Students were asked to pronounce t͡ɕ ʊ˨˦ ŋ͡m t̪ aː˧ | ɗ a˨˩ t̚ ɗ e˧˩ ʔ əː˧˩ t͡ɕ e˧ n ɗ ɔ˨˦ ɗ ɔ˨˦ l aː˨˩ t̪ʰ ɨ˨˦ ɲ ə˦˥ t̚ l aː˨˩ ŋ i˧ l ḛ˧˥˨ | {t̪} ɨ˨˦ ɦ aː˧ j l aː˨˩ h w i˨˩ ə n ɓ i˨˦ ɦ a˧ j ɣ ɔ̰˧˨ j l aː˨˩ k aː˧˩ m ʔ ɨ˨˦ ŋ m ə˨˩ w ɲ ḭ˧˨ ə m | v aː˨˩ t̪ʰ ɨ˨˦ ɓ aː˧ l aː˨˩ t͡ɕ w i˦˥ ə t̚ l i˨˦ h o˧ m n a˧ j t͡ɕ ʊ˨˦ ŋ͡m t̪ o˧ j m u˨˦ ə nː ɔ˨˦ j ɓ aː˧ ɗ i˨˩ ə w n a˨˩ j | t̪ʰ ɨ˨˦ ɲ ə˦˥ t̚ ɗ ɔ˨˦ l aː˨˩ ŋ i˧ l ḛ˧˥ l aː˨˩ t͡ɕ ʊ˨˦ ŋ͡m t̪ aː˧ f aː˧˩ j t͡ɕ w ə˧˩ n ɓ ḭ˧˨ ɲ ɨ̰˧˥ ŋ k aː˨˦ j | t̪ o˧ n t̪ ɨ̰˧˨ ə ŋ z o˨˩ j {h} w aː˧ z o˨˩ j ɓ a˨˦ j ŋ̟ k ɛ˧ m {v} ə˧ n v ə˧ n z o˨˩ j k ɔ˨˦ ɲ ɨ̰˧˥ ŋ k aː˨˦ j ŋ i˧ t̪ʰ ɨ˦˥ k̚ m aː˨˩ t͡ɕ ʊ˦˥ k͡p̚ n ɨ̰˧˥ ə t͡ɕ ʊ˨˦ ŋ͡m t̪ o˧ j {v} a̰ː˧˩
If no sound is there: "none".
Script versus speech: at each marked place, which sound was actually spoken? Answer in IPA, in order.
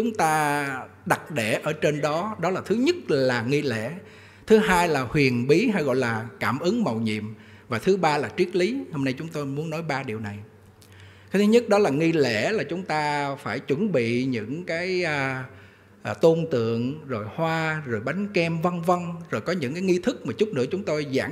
t̪ʰ, h, v, z

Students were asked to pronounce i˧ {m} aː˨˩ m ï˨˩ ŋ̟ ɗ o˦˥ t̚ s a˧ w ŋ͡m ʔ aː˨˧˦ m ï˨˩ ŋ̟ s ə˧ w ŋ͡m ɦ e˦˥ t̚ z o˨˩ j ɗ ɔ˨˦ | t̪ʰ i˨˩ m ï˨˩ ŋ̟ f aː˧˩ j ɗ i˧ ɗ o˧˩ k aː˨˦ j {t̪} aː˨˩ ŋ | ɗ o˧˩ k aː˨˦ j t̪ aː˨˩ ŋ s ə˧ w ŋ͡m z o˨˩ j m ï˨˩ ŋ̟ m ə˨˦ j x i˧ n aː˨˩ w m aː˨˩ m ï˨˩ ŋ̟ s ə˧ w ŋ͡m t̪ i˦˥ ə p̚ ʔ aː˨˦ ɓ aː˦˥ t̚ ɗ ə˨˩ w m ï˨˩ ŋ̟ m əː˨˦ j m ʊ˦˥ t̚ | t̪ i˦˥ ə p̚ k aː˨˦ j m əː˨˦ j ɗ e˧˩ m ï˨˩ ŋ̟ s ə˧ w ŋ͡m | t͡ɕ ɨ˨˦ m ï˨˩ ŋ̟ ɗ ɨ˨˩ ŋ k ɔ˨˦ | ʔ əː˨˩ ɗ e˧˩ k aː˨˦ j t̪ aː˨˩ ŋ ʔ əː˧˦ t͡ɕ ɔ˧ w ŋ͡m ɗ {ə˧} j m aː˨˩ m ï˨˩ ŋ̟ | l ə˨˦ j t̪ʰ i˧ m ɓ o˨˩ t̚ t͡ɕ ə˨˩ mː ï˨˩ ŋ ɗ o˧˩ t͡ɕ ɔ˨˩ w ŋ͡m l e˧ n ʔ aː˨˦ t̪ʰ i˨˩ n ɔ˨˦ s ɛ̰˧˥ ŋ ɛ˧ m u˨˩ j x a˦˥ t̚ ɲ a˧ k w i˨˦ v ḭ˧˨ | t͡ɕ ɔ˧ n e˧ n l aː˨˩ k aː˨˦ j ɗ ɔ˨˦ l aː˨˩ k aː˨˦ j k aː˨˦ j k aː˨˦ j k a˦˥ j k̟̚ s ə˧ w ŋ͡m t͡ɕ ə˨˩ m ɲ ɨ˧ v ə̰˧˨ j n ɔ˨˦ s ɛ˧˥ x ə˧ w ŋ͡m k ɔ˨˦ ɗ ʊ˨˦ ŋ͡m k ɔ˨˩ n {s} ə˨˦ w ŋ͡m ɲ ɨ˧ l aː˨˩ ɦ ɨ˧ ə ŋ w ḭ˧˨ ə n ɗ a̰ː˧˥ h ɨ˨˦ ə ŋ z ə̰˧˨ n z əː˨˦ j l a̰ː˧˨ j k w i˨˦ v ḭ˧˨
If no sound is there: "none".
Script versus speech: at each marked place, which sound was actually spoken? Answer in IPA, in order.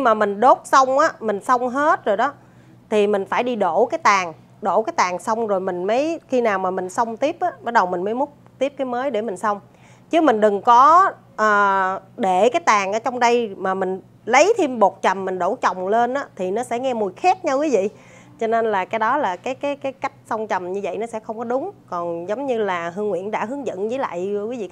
m, t̪, ə˧, z

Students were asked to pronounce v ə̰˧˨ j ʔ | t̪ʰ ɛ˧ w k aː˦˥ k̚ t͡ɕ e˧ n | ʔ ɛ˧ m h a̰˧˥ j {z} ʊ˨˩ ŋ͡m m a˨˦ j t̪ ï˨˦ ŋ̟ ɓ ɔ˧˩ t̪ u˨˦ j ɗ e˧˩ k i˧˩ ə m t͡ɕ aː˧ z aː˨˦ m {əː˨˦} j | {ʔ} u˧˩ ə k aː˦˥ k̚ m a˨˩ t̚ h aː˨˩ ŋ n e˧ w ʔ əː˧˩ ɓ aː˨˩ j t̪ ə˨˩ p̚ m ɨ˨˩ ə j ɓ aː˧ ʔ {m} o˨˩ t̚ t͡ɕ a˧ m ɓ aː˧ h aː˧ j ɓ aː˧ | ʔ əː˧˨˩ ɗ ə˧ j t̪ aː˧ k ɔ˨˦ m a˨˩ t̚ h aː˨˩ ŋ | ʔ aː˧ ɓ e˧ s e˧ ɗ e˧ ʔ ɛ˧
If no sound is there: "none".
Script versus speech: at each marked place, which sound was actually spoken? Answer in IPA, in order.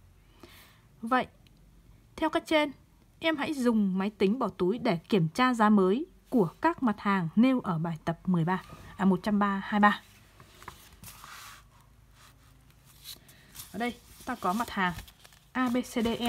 z, əː˨˦, k, m

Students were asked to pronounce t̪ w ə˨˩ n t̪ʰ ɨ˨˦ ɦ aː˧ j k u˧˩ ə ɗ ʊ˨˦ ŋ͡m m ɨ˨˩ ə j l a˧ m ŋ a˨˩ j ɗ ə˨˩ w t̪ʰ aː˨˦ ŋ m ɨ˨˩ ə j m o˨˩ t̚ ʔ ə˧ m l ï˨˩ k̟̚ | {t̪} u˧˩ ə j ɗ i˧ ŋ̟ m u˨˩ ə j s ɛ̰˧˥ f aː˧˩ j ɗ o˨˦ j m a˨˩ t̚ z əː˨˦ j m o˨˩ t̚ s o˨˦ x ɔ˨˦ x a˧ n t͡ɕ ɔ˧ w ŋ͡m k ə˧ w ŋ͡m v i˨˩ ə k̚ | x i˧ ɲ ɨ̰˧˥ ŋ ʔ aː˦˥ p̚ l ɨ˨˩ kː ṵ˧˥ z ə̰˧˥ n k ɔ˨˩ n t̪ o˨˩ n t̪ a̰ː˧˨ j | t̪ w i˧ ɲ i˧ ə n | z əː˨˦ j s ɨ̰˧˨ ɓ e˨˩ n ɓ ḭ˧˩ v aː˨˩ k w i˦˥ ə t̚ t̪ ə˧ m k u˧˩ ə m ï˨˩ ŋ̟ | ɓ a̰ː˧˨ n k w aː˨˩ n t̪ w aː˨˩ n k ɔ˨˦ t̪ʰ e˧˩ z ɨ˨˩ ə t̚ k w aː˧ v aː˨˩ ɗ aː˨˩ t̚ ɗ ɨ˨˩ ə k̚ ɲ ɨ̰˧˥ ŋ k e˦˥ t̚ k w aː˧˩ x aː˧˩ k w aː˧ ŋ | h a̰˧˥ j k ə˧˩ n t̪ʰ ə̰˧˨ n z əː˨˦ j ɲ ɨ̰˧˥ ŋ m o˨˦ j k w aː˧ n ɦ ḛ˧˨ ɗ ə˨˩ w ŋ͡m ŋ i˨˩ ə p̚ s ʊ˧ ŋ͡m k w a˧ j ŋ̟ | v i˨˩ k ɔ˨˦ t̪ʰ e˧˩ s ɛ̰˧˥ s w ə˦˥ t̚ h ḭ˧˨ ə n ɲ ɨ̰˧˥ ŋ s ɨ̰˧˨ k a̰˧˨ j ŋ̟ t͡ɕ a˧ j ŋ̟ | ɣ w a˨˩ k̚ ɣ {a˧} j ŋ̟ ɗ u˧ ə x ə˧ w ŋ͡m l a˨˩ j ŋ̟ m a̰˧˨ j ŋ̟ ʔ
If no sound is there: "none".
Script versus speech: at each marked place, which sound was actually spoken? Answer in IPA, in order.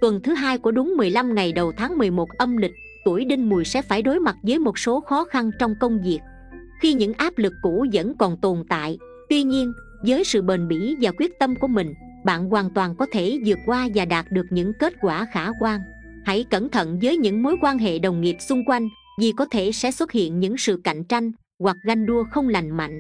t̪, a˧

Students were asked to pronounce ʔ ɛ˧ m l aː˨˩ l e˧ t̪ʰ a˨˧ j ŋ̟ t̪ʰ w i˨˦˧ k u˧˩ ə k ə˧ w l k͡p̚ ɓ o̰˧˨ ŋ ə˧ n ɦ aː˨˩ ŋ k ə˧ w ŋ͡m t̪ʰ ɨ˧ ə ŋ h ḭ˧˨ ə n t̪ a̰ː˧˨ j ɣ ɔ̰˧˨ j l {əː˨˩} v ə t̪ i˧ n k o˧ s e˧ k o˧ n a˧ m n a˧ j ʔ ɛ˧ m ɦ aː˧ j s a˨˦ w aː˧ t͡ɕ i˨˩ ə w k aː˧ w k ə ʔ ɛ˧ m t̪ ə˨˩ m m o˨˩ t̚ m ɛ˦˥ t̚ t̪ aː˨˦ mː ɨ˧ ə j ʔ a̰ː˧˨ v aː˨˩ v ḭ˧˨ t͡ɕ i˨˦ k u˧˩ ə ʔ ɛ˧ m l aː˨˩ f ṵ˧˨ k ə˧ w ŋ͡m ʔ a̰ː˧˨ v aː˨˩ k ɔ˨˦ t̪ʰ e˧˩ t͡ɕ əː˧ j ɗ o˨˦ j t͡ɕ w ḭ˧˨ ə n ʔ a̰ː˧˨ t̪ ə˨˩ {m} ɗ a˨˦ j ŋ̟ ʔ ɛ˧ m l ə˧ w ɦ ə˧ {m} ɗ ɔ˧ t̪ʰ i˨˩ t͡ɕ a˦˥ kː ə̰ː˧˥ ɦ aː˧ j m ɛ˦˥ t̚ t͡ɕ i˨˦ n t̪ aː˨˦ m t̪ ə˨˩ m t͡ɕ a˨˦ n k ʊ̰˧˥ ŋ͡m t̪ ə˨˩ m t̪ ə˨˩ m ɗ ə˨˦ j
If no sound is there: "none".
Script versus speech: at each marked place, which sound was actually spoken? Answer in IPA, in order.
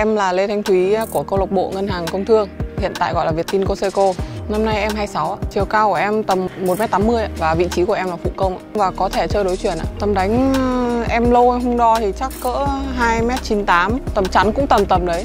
aː˨˩, m, ŋ͡m

